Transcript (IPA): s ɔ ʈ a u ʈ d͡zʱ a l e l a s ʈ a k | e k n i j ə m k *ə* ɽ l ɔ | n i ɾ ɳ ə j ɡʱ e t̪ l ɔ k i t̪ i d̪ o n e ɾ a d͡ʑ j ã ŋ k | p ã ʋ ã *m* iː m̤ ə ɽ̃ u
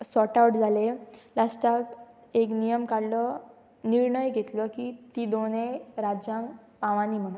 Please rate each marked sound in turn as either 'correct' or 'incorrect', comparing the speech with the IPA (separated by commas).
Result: incorrect, incorrect